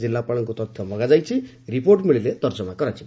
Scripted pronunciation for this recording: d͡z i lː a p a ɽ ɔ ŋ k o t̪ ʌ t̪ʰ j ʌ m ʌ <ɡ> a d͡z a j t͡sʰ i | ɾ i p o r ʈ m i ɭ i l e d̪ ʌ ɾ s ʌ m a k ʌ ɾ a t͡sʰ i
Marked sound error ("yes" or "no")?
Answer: no